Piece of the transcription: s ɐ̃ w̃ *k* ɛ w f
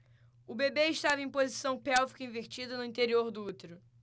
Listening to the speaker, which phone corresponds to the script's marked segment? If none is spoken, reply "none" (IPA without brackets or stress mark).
p